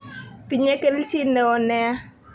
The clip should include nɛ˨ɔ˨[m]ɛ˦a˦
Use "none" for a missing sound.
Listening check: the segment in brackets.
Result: n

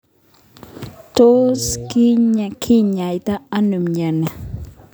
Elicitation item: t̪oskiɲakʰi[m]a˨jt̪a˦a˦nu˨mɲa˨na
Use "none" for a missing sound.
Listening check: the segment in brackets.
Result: ɲ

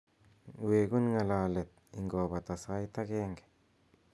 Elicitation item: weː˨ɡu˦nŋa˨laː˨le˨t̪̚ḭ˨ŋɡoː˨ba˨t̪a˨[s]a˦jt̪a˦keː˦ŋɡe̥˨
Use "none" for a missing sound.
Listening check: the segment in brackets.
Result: s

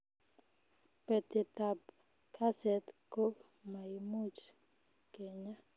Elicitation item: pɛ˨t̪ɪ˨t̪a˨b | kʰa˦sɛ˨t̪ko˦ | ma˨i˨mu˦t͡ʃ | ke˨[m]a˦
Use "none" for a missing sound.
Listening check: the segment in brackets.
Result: ɲ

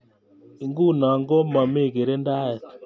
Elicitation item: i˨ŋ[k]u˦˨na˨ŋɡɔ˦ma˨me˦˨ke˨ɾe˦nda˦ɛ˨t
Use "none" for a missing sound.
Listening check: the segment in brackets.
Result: ɡ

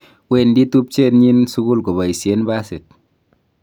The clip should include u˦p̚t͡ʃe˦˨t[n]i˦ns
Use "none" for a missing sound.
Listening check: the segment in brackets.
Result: ɲ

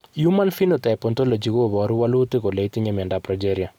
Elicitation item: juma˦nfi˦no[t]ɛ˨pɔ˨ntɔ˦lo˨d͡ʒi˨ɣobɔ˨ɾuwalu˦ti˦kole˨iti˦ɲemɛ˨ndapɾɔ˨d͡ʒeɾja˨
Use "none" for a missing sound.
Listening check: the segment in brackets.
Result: t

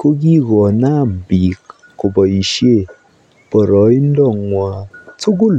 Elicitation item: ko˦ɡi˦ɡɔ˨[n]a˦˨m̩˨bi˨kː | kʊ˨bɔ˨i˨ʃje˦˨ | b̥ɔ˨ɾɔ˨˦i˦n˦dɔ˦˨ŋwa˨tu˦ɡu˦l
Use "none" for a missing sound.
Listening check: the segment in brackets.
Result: n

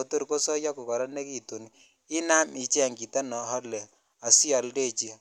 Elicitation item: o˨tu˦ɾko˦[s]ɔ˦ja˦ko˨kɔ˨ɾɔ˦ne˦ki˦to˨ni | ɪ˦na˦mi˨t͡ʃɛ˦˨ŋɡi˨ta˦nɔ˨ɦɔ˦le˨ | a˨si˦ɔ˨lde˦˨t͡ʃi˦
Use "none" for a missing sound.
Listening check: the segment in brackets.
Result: s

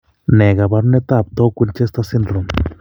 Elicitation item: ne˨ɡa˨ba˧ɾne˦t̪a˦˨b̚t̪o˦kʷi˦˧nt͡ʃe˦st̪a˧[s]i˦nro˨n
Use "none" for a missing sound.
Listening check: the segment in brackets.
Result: s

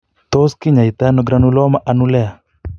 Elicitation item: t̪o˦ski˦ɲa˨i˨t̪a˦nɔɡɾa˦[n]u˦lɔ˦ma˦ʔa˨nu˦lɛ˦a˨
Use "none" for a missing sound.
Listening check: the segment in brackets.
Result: n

